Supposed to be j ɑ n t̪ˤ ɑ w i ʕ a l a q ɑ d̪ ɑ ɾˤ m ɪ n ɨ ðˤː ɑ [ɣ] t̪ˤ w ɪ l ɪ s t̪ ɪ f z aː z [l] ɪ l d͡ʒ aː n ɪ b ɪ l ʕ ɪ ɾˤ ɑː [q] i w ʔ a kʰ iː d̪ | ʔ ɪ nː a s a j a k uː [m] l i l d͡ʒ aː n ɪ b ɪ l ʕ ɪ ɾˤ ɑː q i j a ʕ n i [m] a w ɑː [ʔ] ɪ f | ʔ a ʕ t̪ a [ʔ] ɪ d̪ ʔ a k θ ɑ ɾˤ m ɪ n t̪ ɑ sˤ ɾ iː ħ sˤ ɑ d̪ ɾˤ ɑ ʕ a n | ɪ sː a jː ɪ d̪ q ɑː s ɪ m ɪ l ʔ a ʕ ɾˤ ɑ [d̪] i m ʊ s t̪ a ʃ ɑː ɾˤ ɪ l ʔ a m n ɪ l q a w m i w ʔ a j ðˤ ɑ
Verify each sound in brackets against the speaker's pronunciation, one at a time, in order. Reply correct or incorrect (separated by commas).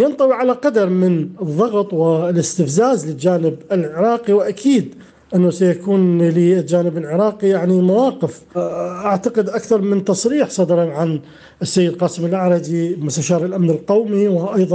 correct, correct, correct, incorrect, correct, incorrect, incorrect, correct